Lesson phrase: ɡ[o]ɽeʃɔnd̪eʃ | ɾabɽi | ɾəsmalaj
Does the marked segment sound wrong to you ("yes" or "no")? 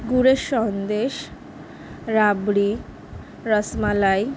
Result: yes